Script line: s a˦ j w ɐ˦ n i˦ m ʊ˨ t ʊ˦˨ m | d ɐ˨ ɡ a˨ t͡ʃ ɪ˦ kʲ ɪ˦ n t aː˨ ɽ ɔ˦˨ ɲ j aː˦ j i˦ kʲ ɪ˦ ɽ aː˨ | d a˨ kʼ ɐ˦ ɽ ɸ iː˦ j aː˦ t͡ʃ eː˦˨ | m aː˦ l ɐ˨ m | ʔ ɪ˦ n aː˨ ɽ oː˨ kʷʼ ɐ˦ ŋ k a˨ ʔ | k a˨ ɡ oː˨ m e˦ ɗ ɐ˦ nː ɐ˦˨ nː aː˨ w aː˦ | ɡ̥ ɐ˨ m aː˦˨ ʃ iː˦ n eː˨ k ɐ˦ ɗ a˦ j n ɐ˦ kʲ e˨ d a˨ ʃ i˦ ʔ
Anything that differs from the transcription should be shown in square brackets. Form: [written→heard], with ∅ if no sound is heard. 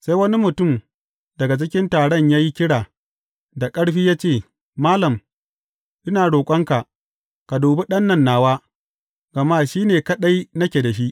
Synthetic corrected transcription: s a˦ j w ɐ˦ n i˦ m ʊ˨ t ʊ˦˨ m | d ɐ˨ ɡ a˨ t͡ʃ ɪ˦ kʲ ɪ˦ n t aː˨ ɽ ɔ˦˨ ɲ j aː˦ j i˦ kʲ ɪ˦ ɽ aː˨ | d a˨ kʼ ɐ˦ ɽ ɸ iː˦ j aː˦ t͡ʃ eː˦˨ | m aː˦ l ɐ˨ m | ʔ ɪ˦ n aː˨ ɽ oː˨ kʷʼ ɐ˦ ŋ k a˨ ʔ | k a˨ [ɡ→d] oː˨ [m→b] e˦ ɗ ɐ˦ nː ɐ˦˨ nː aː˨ w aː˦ | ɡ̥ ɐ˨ m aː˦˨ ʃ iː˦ n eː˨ k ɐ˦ ɗ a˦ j n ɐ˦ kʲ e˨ d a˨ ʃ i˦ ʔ